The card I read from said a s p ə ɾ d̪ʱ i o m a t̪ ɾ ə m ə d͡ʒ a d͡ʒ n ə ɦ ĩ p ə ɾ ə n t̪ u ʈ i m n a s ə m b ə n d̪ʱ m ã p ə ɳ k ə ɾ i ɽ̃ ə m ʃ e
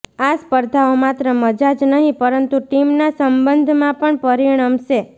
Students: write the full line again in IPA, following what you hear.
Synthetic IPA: a s p ə ɾ d̪ʱ a o m a t̪ ɾ ə m ə d͡ʒ a d͡ʒ n ə ɦ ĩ p ə ɾ ə n t̪ u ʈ i m n a s ə m b ə n d̪ʱ m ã p ə ɳ p ə ɾ i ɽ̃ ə m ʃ e

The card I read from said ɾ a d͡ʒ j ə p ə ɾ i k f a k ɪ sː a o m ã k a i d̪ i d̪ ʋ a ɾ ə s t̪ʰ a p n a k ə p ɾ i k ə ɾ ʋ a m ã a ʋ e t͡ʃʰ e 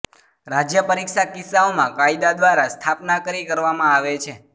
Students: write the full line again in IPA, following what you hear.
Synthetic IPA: ɾ a d͡ʒ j ə p ə ɾ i k ʃ a k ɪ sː a o m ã k a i d̪ a d̪ ʋ a ɾ a s t̪ʰ a p n a k ə ɾ i k ə ɾ ʋ a m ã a ʋ e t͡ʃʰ e

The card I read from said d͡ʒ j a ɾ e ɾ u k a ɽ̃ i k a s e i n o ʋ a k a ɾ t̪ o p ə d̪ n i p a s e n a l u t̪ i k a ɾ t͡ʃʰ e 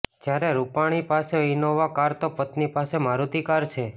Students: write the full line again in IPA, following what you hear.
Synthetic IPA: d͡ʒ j a ɾ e ɾ u p a ɽ̃ i p a s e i n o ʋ a k a ɾ t̪ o p ə t̪ n i p a s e m a ɾ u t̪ i k a ɾ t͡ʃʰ e

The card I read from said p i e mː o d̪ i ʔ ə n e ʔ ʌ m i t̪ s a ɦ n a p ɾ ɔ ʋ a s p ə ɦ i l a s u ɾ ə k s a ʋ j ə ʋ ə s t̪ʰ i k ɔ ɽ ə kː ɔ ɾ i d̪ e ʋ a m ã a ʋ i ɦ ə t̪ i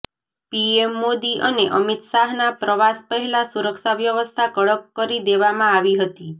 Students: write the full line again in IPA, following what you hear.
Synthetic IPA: p i e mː o d̪ i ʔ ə n e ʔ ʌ m i t̪ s a ɦ n a p ɾ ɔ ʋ a s p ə ɦ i l a s u ɾ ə k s a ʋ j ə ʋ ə s t̪ʰ a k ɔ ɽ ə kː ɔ ɾ i d̪ e ʋ a m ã a ʋ i ɦ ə t̪ i

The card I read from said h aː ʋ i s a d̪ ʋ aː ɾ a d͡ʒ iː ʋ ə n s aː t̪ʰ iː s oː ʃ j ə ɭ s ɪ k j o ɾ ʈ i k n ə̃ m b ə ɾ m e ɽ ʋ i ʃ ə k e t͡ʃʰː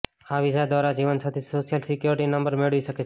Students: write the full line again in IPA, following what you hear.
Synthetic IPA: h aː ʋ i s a d̪ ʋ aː ɾ a d͡ʒ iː ʋ ə n s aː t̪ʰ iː s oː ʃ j ə l s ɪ k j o ɾ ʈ i n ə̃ m b ə ɾ m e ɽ ʋ i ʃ ə k e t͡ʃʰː

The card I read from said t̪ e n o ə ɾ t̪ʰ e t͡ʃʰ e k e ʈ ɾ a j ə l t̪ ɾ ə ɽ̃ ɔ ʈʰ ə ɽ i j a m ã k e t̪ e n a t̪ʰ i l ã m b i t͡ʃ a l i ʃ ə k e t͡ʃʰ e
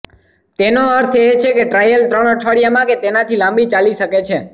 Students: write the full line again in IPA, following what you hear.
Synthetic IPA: t̪ e n o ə ɾ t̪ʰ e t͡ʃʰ e k e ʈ ɾ a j ə l t̪ ɾ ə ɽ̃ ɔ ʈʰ ə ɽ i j a m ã k e t̪ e n a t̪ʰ i l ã m b i t͡ʃ a l i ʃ ə k e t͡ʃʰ e

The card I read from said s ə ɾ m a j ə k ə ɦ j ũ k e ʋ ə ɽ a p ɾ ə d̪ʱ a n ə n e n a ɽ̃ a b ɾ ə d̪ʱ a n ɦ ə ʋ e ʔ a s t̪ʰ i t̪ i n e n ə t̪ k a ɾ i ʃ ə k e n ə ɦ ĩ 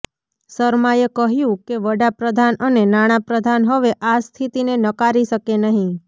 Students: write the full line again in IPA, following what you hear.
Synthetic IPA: s ə ɾ m a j ə k ə ɦ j ũ k e ʋ ə ɽ a p ɾ ə d̪ʱ a n ə n e n a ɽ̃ a p ɾ ə d̪ʱ a n ɦ ə ʋ e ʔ a s t̪ʰ i t̪ i n e n ə k a ɾ i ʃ ə k e n ə ɦ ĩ

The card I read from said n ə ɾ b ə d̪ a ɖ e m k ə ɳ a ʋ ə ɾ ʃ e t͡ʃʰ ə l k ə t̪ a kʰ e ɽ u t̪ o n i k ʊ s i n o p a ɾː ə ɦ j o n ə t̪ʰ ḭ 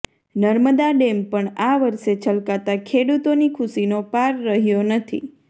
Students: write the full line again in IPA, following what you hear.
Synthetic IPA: n ə ɾ m ə d̪ a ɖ e m p ə ɳ a ʋ ə ɾ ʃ e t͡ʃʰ ə l k a t̪ a kʰ e ɽ u t̪ o n i kʰ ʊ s i n o p a ɾː ə ɦ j o n ə t̪ʰ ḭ

